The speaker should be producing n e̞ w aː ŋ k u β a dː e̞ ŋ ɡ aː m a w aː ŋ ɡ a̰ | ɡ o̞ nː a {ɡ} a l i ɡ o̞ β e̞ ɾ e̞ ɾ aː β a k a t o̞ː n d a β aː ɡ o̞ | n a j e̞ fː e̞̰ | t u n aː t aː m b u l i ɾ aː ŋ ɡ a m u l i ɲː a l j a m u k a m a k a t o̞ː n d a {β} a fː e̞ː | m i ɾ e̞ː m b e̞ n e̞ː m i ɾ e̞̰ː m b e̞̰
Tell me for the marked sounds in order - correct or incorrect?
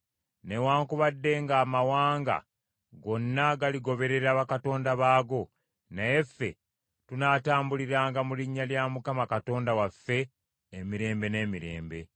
correct, incorrect

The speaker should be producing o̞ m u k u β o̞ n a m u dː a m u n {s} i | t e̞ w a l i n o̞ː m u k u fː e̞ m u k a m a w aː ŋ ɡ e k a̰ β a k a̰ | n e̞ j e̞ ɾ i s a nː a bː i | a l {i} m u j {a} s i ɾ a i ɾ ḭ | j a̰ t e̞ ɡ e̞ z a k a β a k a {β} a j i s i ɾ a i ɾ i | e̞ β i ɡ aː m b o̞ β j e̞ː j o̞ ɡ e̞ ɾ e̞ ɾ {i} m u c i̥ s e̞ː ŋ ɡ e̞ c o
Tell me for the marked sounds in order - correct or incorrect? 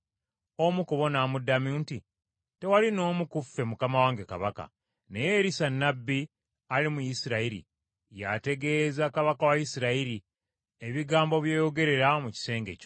incorrect, correct, incorrect, incorrect, incorrect

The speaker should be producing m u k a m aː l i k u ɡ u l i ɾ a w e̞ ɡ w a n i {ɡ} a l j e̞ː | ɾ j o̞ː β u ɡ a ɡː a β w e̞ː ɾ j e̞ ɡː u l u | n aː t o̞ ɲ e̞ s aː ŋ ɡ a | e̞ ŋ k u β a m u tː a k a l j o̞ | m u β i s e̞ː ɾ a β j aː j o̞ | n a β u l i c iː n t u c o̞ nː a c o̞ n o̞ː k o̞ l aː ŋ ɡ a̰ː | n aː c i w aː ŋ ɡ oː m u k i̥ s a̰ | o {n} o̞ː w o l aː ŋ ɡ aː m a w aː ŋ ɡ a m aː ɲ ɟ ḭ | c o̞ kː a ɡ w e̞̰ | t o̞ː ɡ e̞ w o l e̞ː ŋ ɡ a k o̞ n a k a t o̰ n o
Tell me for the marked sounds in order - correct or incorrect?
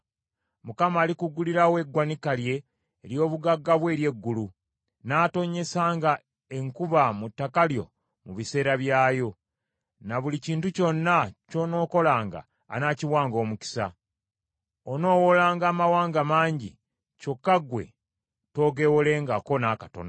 incorrect, correct

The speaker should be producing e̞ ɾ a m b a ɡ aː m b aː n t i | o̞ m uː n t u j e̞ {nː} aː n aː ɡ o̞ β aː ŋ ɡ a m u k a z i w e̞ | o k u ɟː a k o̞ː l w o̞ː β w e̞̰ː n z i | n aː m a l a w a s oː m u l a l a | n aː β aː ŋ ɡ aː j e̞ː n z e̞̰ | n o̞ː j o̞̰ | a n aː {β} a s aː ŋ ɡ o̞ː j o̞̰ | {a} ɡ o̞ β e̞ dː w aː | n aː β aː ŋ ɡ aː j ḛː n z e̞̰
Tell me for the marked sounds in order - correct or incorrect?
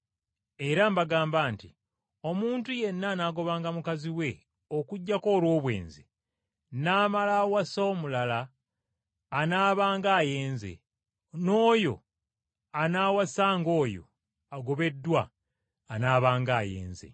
correct, incorrect, correct

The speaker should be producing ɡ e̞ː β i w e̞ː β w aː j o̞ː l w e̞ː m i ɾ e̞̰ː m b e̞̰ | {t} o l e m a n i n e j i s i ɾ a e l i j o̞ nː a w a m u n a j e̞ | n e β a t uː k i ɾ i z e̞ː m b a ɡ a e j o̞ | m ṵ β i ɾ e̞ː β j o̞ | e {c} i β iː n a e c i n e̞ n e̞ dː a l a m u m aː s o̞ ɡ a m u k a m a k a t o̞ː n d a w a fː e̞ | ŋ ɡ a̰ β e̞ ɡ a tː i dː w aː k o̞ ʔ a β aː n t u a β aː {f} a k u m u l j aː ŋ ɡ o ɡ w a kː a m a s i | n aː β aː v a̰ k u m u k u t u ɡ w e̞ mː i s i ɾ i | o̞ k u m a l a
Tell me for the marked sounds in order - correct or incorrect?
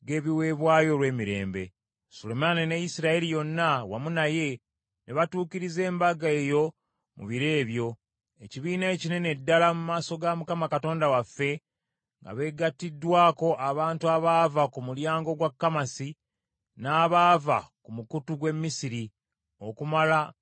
incorrect, correct, incorrect

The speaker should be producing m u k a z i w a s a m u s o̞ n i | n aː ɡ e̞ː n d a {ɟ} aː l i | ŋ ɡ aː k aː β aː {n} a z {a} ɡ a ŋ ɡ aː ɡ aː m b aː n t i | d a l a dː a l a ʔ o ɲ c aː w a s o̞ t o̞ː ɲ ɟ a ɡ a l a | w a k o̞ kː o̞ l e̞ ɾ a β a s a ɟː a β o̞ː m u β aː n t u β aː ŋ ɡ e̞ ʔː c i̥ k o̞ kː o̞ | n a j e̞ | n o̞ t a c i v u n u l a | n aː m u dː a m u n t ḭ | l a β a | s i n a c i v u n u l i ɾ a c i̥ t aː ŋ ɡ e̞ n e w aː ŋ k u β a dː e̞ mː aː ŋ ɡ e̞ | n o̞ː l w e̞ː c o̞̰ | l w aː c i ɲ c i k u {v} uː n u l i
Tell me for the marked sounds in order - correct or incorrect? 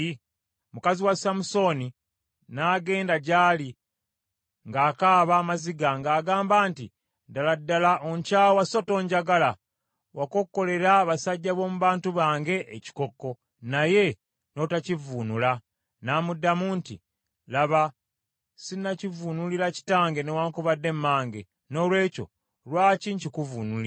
correct, incorrect, incorrect, correct

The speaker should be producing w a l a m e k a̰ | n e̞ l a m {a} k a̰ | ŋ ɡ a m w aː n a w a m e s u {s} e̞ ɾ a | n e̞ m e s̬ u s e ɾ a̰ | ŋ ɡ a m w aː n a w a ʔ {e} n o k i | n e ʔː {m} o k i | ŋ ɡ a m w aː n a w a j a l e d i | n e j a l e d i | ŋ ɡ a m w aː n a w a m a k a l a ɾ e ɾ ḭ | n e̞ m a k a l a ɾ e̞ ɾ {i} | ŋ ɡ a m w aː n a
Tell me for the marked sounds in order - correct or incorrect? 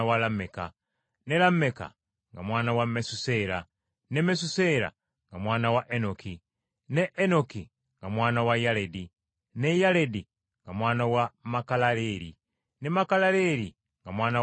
incorrect, correct, correct, incorrect, correct

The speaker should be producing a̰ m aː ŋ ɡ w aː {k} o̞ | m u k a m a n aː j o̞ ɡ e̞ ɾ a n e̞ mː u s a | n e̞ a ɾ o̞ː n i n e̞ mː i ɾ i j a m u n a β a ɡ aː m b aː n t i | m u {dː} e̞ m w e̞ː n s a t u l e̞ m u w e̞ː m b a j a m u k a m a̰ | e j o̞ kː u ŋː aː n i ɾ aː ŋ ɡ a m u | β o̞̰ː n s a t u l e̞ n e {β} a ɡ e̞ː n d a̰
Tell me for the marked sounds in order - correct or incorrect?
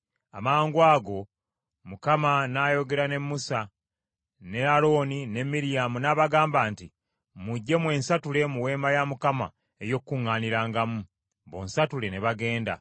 incorrect, incorrect, correct

